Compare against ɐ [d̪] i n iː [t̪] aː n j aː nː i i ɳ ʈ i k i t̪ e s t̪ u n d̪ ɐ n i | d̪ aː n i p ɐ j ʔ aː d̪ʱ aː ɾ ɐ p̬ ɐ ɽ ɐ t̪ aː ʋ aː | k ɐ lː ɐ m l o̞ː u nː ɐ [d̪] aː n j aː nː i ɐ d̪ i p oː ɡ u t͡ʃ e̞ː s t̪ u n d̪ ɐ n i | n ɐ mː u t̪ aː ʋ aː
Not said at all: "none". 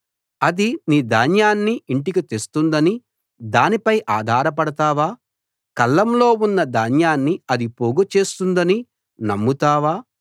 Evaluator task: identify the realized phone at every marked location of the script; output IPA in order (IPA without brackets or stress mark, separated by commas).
d̪, d̪, d̪